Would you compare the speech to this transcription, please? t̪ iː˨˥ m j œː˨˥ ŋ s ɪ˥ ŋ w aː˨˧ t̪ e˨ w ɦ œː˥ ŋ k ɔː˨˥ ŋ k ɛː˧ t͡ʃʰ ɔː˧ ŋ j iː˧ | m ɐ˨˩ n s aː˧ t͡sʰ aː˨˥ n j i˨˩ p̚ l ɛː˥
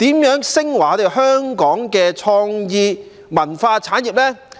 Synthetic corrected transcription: t̪ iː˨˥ m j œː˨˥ ŋ s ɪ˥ ŋ w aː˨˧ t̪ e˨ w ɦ œː˥ ŋ k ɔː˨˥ ŋ k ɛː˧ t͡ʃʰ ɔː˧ ŋ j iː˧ | m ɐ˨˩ n f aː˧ t͡sʰ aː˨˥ n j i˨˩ p̚ l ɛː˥

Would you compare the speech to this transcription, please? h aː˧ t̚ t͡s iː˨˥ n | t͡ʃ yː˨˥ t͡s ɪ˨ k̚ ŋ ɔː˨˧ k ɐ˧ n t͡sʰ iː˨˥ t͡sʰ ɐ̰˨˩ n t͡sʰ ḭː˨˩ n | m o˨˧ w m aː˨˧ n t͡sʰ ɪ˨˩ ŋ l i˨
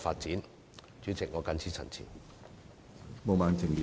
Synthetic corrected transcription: f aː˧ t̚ t͡s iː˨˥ n | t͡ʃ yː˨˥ t͡s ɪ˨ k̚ ŋ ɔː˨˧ k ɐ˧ n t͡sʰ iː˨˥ t͡sʰ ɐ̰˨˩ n t͡sʰ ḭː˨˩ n | m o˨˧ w m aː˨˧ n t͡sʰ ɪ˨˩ ŋ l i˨

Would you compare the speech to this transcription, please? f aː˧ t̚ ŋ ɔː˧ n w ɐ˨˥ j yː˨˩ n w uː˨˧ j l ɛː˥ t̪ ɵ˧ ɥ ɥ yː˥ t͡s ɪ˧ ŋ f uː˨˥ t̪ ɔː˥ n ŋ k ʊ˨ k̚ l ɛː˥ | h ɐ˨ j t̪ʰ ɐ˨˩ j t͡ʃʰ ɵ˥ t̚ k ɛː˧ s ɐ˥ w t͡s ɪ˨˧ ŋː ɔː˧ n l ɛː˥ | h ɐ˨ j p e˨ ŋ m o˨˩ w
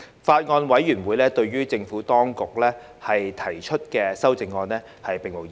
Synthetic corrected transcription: f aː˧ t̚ ŋ ɔː˧ n w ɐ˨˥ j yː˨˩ n w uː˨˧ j l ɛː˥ t̪ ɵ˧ ɥ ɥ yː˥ t͡s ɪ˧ ŋ f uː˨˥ t̪ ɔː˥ ŋ k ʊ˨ k̚ l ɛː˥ | h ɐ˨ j t̪ʰ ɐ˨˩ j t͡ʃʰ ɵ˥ t̚ k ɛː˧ s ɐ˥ w t͡s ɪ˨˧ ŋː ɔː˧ n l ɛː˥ | h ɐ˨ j p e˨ ŋ m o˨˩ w

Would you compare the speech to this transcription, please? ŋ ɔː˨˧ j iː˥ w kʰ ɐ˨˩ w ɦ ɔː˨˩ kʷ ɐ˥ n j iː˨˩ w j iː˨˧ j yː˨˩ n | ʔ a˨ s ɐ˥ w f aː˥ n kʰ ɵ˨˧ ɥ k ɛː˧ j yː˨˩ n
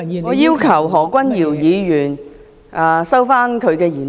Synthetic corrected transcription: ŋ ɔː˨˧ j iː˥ w kʰ ɐ˨˩ w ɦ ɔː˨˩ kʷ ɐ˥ n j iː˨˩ w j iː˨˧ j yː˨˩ n | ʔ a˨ s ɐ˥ w f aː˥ n kʰ ɵ˨˧ ɥ k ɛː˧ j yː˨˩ n

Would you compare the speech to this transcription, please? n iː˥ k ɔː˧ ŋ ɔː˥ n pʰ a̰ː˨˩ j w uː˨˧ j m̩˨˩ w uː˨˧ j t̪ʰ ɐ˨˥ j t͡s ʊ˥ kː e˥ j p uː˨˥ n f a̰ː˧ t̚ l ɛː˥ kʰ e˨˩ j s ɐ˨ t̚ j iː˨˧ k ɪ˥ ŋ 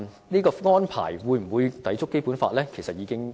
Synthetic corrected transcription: n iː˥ k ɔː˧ ŋ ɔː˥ n pʰ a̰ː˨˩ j w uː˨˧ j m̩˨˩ w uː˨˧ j t̪ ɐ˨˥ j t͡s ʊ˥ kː e˥ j p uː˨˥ n f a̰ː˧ t̚ l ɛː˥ kʰ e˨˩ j s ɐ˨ t̚ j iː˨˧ k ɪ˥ ŋ

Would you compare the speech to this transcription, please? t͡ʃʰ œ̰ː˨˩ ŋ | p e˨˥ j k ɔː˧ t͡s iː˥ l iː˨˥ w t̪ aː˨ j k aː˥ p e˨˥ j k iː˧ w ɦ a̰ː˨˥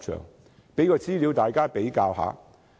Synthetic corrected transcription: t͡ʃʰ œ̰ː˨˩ ŋ | p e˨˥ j k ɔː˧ t͡s iː˥ l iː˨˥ w t̪ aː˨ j k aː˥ p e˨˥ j k aː˧ w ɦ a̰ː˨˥

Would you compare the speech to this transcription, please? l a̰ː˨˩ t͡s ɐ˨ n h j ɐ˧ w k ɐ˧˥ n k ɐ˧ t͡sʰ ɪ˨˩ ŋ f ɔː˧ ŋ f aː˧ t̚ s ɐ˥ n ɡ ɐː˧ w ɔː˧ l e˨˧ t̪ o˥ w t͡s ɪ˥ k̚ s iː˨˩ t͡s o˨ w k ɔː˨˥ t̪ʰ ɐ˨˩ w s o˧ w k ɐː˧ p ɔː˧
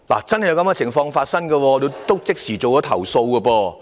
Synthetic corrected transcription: l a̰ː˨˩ t͡s ɐ˥ n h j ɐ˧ w k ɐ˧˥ m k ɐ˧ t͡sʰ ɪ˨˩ ŋ f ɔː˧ ŋ f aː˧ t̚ s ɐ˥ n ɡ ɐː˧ w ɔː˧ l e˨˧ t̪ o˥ w t͡s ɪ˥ k̚ s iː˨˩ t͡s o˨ w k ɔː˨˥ t̪ʰ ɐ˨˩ w s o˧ w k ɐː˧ p ɔː˧

